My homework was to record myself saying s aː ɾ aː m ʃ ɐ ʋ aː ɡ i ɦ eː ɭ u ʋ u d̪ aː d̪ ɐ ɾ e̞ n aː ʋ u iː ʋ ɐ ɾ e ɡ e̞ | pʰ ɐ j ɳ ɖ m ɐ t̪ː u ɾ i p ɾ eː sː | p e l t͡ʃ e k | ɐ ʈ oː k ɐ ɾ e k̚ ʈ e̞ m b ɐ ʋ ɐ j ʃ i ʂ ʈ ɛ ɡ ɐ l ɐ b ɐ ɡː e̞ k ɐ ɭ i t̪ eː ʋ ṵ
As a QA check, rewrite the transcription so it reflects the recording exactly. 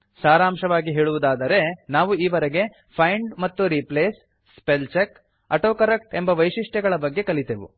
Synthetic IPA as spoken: s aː ɾ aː m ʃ ɐ ʋ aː ɡ i ɦ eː ɭ u ʋ u d̪ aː d̪ ɐ ɾ e̞ n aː ʋ u iː ʋ ɐ ɾ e ɡ e̞ | pʰ ɐ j ɳ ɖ m ɐ t̪ː u ɾ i p l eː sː | p e l t͡ʃ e k | ɐ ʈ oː k ɐ ɾ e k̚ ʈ e̞ m b ɐ ʋ ɐ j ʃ i ʂ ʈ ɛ ɡ ɐ ɭ ɐ b ɐ ɡː e̞ k ɐ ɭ i t̪ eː ʋ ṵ